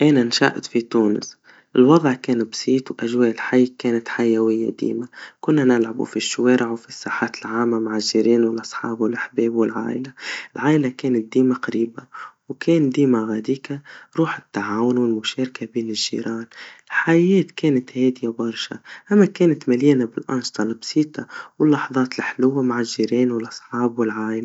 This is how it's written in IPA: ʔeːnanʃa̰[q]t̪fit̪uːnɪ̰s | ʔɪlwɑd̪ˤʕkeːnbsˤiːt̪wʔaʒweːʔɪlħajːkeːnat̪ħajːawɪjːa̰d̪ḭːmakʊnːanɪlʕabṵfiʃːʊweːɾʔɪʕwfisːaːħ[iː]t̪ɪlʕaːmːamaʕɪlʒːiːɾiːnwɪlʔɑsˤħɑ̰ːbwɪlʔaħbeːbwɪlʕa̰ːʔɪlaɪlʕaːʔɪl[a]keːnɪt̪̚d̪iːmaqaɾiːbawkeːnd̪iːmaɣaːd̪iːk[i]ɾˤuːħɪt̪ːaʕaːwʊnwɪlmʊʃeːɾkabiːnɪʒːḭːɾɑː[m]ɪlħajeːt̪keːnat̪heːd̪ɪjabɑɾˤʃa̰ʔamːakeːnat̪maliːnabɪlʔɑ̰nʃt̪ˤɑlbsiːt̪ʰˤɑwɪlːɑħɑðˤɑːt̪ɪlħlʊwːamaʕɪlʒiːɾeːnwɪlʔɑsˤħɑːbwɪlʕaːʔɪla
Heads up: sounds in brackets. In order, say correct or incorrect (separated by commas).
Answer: incorrect, incorrect, correct, incorrect, incorrect